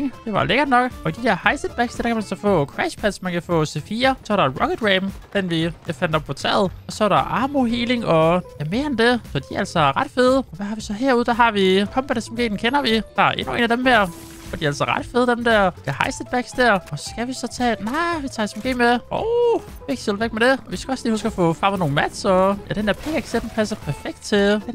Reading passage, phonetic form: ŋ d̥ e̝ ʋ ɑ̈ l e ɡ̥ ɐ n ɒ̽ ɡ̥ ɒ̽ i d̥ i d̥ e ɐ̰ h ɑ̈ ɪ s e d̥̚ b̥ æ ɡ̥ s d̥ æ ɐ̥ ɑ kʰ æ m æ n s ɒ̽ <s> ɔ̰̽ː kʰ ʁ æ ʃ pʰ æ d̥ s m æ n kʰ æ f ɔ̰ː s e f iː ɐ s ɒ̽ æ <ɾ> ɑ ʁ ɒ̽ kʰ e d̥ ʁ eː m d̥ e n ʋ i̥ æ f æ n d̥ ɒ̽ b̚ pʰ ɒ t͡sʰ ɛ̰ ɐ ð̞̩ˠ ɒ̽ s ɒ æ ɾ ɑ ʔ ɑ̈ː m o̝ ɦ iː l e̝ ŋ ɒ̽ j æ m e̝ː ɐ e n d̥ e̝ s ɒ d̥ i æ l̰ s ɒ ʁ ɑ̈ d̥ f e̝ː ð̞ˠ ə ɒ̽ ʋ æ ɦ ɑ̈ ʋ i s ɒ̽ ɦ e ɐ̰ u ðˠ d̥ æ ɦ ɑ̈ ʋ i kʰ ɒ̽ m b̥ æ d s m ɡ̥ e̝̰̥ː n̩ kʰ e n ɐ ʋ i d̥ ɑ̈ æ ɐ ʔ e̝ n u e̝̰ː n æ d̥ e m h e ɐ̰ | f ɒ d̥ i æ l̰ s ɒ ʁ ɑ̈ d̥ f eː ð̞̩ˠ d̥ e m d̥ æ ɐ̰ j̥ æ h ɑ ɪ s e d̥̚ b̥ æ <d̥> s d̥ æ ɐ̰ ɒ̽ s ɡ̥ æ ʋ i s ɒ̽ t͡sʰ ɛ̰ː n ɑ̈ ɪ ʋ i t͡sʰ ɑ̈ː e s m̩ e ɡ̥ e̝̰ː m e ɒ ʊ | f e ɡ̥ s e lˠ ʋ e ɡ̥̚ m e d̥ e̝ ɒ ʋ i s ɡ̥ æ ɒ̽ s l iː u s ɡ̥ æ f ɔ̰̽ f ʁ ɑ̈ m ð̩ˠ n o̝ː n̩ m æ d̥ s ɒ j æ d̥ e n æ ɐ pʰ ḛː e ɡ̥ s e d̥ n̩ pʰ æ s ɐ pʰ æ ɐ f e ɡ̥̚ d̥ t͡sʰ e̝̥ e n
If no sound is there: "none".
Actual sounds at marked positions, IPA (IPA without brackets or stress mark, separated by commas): f, ɾ, ɡ̥